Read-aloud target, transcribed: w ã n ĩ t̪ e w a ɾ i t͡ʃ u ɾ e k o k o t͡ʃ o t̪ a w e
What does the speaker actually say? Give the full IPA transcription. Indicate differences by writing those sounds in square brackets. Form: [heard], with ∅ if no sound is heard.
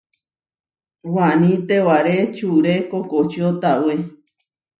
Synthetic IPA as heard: w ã n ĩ t̪ e w a ɾ [e] t͡ʃ u ɾ e k o k o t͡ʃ o t̪ a w e